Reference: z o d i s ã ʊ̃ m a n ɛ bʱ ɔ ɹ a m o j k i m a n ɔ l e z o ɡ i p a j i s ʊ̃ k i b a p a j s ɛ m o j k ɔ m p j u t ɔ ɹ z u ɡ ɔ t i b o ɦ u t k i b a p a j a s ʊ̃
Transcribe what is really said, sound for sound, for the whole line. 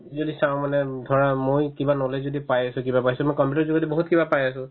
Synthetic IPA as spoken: z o d i s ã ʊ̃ m a n ɛ dʱ ɔ ɹ a m o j k i b a n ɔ l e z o d i p a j a s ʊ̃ k i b a p a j s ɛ m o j k ɔ m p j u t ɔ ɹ z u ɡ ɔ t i b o ɦ u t k i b a p a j a s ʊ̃